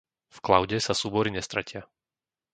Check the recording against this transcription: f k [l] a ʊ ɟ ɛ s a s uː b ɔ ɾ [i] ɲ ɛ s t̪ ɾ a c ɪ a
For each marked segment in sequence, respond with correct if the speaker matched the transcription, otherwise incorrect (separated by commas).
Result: correct, correct